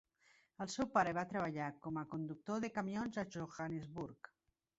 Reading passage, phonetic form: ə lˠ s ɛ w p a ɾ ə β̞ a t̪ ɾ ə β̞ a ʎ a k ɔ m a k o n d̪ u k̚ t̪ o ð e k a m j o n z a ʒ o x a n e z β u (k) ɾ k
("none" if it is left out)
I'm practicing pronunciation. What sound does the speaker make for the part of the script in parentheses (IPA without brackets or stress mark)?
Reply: none